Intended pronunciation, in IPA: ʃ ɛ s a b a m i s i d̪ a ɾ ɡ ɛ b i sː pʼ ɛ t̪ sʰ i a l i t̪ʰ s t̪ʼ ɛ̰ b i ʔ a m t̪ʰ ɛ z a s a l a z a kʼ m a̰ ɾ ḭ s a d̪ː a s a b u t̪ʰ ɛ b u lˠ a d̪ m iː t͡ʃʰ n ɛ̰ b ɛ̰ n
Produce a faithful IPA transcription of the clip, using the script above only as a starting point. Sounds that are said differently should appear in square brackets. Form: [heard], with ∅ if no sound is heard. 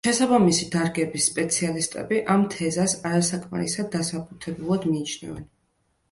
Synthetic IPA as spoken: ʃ ɛ s a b a m i s i d̪ a ɾ ɡ ɛ b i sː pʼ ɛ t̪ sʰ i a l i [∅] s t̪ʼ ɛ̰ b i ʔ a m t̪ʰ ɛ z a s a [ɾ] a [s] a kʼ m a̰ ɾ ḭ s a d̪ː a s a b u t̪ʰ ɛ b u lˠ a d̪ m iː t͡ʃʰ n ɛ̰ [v] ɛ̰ n